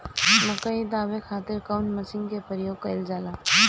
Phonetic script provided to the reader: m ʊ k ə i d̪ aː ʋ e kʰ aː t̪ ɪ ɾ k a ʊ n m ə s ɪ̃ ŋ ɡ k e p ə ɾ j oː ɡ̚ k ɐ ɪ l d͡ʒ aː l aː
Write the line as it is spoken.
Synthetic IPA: m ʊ k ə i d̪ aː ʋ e kʰ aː t̪ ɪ ɾ k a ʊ n m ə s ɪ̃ ŋ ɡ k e p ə ɾ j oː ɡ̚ k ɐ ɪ l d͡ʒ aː l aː